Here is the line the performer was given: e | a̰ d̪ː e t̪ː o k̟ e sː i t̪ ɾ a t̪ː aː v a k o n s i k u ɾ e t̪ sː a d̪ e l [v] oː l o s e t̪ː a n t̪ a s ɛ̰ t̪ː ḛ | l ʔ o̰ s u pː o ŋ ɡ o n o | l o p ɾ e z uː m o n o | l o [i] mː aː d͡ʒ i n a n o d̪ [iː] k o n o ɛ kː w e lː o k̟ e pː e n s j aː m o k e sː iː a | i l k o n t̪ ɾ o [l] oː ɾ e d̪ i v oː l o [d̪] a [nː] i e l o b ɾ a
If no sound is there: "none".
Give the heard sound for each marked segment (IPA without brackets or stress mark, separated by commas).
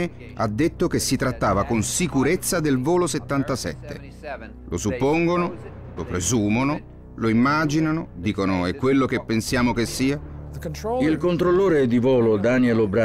v, i, iː, lː, d̪, n